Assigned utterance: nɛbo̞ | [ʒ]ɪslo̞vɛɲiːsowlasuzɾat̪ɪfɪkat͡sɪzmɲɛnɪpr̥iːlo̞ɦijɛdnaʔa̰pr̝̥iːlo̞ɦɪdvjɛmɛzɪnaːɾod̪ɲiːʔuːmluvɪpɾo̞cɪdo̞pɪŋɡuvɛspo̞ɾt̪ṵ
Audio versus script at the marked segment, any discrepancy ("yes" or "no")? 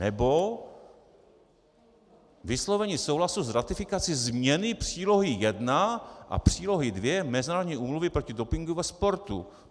yes